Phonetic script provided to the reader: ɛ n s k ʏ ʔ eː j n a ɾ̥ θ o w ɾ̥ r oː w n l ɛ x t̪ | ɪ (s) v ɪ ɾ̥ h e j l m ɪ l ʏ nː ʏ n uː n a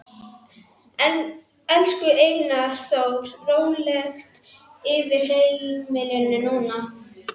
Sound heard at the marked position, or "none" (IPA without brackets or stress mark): none